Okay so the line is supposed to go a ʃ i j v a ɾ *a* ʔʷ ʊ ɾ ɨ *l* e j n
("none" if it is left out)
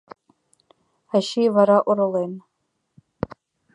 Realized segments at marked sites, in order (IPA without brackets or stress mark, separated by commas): a, l